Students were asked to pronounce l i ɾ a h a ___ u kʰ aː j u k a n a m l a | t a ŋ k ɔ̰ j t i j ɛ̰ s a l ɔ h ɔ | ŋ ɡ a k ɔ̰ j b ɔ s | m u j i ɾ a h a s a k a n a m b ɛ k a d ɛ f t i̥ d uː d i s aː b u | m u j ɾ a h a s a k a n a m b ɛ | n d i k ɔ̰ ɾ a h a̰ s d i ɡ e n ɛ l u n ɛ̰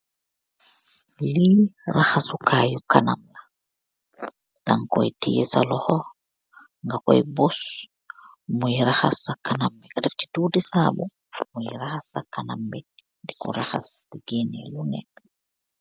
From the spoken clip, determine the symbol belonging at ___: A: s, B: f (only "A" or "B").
A